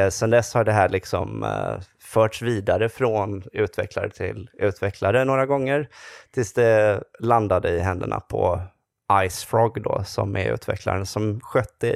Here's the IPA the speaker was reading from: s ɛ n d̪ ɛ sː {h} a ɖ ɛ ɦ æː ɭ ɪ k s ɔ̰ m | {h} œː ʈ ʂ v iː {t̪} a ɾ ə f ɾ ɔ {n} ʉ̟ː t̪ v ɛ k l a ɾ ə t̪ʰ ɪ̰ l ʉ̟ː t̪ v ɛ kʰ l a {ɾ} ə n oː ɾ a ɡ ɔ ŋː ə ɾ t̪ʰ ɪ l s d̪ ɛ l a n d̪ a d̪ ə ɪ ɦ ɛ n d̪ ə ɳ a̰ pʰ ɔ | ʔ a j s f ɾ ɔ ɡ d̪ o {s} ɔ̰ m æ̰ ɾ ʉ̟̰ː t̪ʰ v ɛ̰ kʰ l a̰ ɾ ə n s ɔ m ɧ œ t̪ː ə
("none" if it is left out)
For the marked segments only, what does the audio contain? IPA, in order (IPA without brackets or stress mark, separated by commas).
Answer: h, f, d̪, n, ɾ, s